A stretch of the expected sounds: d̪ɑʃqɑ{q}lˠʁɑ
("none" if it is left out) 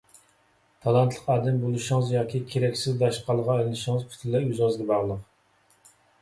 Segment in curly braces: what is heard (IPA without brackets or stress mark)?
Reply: none